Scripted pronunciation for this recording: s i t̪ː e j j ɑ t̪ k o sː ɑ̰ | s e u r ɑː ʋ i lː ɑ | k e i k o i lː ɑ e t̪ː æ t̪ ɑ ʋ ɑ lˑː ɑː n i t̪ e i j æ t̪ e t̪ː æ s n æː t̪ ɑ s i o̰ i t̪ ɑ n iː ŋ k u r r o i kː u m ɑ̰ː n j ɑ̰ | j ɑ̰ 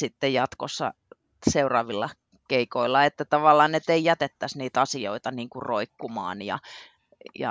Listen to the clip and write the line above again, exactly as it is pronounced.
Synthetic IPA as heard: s i t̪ː e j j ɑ t̪ k o sː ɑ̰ | s e u r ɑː ʋ i lː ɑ | k e i k o i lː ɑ e t̪ː æ t̪ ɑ ʋ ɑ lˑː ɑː n e t̪ e i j æ t̪ e t̪ː æ s n iː t̪ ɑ s i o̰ i t̪ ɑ n iː ŋ k u r r o i kː u m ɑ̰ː n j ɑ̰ | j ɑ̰